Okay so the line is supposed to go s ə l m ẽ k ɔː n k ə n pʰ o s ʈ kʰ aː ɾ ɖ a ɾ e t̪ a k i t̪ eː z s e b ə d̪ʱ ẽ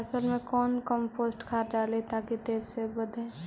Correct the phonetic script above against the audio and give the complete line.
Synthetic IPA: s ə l m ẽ k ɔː n k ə m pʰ o s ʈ kʰ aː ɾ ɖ a l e t̪ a k i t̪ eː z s e b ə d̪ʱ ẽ

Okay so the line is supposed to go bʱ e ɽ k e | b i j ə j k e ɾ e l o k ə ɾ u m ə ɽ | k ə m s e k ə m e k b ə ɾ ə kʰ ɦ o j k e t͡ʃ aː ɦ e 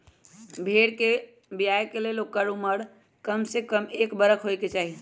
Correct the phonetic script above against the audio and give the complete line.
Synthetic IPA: bʱ e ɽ k e | b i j a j k e l e l o k ə ɾ u m ə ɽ | k ə m s e k ə m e k b ə ɾ ə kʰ ɦ o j k e t͡ʃ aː ɦ i

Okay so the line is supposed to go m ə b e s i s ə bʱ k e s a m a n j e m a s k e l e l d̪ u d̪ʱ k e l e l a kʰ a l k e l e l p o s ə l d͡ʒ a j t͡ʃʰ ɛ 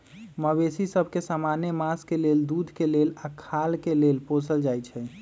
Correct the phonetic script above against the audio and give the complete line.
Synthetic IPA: m ə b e s i s ə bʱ k e s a m a n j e m a s k e l e l d̪ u d̪ʱ k e l e l a kʰ a l k e l e l p o s ə l d͡ʒ a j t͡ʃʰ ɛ

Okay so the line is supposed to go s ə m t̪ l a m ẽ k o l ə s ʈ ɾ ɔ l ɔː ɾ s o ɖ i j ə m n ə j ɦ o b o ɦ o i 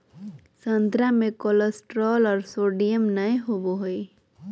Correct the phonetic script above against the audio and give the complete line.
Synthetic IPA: s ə n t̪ ɾ a m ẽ k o l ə s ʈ ɾ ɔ l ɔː ɾ s o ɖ i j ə m n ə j ɦ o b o ɦ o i

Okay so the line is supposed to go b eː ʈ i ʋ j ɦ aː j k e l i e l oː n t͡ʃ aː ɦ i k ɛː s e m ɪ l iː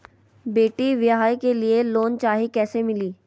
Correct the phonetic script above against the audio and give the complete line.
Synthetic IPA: b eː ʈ i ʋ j ɦ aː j k e l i e l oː n t͡ʃ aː ɦ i k ɛː s e m ɪ l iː

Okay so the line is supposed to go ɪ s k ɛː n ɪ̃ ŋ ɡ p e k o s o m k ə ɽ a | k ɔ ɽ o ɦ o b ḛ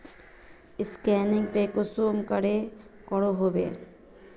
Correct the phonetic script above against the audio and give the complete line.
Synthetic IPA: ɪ s k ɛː n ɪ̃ ŋ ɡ p e k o s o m k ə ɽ e | k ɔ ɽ o ɦ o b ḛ

